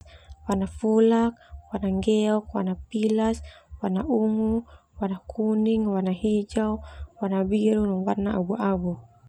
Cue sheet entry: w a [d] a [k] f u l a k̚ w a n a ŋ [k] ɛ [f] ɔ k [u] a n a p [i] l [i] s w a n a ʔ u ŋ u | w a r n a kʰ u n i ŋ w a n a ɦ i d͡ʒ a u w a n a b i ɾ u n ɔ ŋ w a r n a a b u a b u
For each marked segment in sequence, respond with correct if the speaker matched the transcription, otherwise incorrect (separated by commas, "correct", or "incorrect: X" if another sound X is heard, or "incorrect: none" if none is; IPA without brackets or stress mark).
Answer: incorrect: n, incorrect: none, incorrect: ɡ, incorrect: none, incorrect: w, correct, incorrect: a